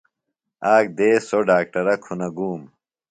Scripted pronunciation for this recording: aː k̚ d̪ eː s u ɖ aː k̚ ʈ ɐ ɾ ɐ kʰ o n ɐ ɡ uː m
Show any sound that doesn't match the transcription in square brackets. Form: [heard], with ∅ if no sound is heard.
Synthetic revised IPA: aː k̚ d̪ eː s [o] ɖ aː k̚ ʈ ɐ ɾ ɐ kʰ [u] n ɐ ɡ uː m